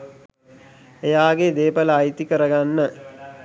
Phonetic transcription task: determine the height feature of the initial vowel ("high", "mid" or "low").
mid